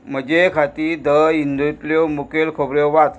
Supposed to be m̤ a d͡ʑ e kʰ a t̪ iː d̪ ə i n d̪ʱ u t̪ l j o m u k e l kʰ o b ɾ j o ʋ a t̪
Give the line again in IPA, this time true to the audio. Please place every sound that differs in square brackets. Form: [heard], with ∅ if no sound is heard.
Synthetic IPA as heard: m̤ [ə] d͡ʑ e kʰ a t̪ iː d̪ ə i n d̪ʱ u t̪ l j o m u k e l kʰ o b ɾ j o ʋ a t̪